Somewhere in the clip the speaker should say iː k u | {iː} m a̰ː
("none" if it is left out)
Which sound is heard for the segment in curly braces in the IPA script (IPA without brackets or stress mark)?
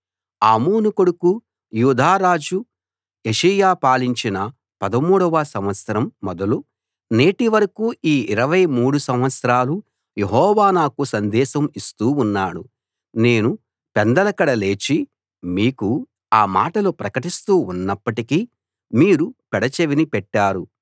aː